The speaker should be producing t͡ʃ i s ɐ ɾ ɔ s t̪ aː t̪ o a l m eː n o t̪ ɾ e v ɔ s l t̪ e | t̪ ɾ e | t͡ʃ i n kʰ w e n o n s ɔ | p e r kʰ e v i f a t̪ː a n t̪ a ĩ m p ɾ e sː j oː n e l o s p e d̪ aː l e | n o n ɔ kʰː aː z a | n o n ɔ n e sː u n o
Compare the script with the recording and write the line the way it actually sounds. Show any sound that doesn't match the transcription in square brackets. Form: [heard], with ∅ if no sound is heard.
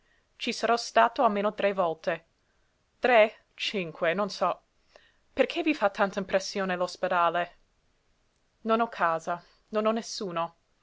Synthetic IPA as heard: t͡ʃ i s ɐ ɾ ɔ s t̪ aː t̪ o a l m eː n o t̪ ɾ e v ɔ [∅] l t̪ e | t̪ ɾ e | t͡ʃ i [ŋ] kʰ w e n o n s ɔ | p e r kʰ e v i f a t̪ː a n t̪ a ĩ m p ɾ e sː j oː n e l o s p e d̪ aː l e | n o n ɔ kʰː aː z a | n o n ɔ n e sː [uː] n o